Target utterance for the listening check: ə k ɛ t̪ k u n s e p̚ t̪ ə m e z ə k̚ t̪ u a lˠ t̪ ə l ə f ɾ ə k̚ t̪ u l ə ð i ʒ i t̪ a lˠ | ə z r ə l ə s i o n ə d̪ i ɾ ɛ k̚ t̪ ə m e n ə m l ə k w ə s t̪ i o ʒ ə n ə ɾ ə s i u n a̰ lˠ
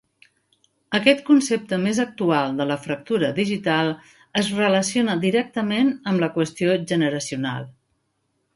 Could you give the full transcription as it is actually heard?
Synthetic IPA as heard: ə k ɛ t̪ k u n s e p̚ t̪ ə m e z ə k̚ t̪ u a lˠ d̪ ə l ə f ɾ ə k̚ t̪ u ɾ ə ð i ʒ i t̪ a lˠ | ə z r ə l ə s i o n ə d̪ i ɾ ɛ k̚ t̪ ə m e n ə m l ə k w ə s t̪ i o ʒ ə n ə ɾ ə s i u n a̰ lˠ